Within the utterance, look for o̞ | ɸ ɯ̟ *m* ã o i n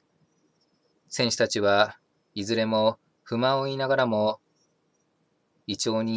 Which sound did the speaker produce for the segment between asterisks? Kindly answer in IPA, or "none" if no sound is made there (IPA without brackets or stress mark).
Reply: m